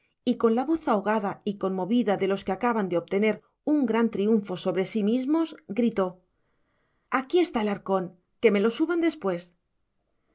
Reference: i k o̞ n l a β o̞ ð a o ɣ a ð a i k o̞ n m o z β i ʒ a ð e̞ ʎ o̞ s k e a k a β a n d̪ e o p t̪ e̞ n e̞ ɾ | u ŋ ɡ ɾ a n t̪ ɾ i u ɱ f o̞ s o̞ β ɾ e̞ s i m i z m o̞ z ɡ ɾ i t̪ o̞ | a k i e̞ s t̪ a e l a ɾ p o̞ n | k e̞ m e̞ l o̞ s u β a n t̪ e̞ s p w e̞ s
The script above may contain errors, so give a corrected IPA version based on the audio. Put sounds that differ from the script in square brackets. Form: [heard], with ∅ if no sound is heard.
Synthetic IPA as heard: i k o̞ n l a β o̞ [θ] a o ɣ a ð a i k o̞ n m o [∅] β i [ð] a ð e̞ [l] o̞ s k e a k a β a n d̪ e o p t̪ e̞ n e̞ ɾ | u ŋ ɡ ɾ a n t̪ ɾ i u ɱ f o̞ s o̞ β ɾ e̞ s i m i z m o̞ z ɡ ɾ i t̪ o̞ | a k i e̞ s t̪ a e l a ɾ [k] o̞ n | k e̞ m e̞ l o̞ s u β a n [d̪] e̞ s p w e̞ s